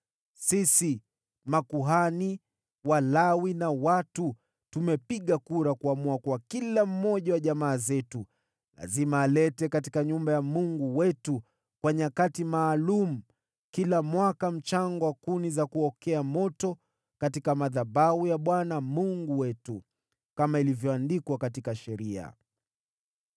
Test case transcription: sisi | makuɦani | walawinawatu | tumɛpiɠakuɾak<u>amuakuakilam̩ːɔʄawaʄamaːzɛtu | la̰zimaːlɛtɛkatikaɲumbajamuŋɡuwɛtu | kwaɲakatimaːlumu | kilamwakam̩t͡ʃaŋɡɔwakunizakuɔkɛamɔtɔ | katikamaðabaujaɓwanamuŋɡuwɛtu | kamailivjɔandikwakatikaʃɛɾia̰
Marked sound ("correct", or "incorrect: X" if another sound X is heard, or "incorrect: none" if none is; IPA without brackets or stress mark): correct